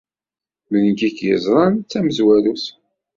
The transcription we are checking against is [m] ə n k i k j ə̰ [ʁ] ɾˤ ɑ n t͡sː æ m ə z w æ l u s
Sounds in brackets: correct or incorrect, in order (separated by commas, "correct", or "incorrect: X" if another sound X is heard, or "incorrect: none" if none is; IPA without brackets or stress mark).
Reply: correct, incorrect: z